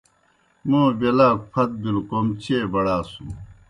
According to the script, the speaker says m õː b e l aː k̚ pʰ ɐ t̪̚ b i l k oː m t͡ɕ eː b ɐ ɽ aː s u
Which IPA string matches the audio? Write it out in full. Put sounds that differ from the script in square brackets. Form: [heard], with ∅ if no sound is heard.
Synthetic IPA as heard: m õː b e l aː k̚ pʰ ɐ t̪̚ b i l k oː m t͡ɕ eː b ɐ ɽ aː s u